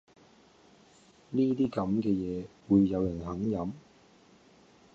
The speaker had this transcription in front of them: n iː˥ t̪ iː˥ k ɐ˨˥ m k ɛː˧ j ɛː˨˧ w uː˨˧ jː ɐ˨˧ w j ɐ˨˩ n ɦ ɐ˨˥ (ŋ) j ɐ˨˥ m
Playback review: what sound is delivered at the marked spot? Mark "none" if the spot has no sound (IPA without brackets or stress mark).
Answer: ŋ